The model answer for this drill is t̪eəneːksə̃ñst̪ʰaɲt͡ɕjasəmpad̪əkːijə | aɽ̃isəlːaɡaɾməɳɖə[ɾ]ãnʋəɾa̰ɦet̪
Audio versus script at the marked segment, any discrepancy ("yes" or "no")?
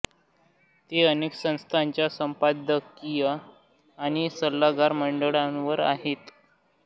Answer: yes